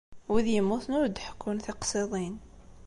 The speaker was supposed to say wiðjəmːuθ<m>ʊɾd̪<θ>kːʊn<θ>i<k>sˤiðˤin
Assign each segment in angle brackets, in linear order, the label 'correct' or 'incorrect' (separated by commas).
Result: incorrect, incorrect, correct, incorrect